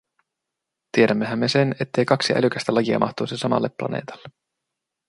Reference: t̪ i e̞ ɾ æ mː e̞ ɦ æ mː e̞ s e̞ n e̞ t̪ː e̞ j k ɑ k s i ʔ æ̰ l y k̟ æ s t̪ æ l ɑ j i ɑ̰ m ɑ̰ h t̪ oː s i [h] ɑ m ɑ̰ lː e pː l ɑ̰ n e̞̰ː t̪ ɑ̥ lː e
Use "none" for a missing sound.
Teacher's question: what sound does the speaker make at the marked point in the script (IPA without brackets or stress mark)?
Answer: s